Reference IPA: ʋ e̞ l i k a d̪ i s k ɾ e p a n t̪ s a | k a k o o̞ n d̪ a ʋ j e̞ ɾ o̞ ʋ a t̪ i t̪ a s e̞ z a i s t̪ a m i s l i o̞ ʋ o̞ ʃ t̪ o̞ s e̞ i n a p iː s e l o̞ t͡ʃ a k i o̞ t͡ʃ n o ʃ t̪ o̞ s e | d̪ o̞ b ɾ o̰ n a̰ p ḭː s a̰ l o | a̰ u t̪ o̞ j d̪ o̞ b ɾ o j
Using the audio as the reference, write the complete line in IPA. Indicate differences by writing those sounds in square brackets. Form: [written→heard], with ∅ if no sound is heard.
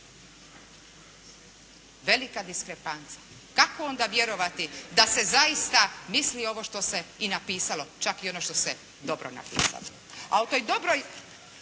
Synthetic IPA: ʋ e̞ l i k a d̪ i s k ɾ e p a n t̪ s a | k a k o o̞ n d̪ a ʋ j e̞ ɾ o̞ ʋ a t̪ i [t̪→d̪] a s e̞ z a i s t̪ a m i s l i o̞ ʋ o̞ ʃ t̪ o̞ s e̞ i n a p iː s [e→a] l o̞ t͡ʃ a k i o̞ [t͡ʃ→∅] n o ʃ t̪ o̞ s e | d̪ o̞ b ɾ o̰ n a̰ p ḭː s a̰ l o | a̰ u t̪ o̞ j d̪ o̞ b ɾ o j

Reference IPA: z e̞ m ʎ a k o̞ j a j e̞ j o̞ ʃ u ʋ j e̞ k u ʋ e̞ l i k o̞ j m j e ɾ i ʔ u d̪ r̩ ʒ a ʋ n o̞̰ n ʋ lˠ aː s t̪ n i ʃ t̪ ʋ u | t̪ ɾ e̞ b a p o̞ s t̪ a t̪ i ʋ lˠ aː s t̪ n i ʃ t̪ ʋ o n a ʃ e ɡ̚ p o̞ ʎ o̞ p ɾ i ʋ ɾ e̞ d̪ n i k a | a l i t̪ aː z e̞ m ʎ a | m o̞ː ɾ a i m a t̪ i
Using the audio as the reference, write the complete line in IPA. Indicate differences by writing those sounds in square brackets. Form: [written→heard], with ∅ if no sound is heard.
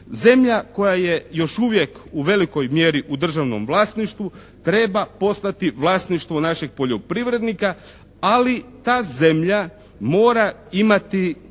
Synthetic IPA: z e̞ m ʎ a k o̞ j a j e̞ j o̞ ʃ u ʋ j e̞ k u ʋ e̞ l i k o̞ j m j e ɾ i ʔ u d̪ r̩ ʒ a ʋ n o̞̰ [n→m] ʋ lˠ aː s t̪ n i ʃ t̪ ʋ u | t̪ ɾ e̞ b a p o̞ s t̪ a t̪ i ʋ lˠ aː s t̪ n i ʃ t̪ ʋ o n a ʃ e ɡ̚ p o̞ ʎ o̞ p ɾ i ʋ ɾ e̞ d̪ n i k a | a l i t̪ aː z e̞ m ʎ a | m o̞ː ɾ a i m a t̪ i

